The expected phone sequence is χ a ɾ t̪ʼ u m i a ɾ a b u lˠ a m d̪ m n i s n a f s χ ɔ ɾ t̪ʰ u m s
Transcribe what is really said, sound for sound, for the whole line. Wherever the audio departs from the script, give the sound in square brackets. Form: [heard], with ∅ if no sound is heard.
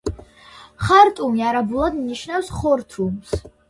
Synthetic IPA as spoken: χ a ɾ t̪ʼ u m i a ɾ a b u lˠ a [∅] d̪ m n i [ʃ] n a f s χ ɔ ɾ t̪ʰ u m s